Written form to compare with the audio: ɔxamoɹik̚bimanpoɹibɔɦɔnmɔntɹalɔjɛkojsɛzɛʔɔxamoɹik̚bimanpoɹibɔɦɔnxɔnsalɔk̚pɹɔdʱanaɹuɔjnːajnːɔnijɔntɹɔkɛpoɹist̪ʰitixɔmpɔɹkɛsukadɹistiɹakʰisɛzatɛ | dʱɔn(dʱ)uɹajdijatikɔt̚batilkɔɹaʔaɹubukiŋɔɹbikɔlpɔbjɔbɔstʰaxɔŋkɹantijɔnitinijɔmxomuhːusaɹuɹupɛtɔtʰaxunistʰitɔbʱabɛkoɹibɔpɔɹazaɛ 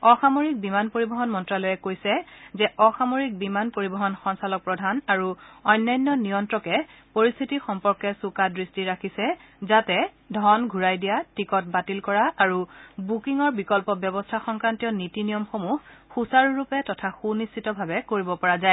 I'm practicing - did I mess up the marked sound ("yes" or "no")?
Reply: yes